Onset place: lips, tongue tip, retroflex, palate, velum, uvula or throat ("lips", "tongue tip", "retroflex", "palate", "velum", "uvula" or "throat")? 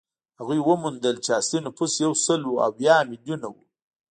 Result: throat